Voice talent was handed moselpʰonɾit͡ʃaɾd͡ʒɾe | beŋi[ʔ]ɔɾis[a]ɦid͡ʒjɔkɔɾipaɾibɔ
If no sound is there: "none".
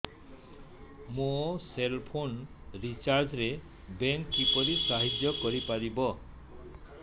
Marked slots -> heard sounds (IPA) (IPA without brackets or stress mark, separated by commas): p, a